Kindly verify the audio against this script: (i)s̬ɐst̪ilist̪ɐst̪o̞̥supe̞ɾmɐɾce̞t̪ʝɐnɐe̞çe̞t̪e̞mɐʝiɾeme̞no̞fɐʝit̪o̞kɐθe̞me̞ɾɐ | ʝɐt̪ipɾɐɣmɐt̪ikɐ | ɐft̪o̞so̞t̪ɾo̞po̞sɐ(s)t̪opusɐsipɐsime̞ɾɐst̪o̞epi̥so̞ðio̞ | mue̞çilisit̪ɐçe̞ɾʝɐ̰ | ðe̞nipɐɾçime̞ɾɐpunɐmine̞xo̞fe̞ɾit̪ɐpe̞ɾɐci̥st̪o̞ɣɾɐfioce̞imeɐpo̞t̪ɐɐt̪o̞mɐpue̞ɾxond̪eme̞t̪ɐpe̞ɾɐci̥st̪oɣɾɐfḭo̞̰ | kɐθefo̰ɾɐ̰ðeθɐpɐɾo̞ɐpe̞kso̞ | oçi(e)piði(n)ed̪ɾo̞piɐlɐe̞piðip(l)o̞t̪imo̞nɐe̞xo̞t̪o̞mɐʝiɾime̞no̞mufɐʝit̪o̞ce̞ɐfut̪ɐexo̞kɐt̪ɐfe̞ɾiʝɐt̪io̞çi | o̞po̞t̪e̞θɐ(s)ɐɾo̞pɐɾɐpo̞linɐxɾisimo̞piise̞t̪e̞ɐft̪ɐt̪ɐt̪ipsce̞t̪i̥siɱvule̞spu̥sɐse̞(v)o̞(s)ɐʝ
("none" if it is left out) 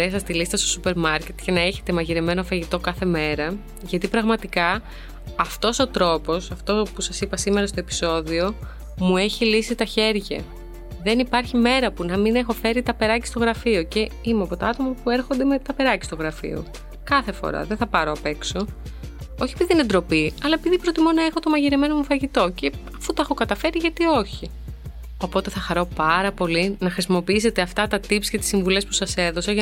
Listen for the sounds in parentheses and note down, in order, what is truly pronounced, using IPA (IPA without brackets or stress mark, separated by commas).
e, f, e, n, ɾ, x, ð, s